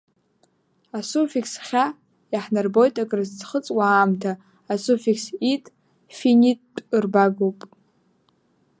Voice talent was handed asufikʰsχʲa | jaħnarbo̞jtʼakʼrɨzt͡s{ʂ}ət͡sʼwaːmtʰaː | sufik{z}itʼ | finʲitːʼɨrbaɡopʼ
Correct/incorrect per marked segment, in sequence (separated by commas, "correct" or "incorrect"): incorrect, incorrect